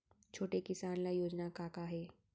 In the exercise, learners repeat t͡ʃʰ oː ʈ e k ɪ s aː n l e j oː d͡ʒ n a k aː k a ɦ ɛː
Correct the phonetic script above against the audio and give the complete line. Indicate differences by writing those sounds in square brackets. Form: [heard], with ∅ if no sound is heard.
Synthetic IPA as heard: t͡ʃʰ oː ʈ e k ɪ s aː n l [a] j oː d͡ʒ n a k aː k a ɦ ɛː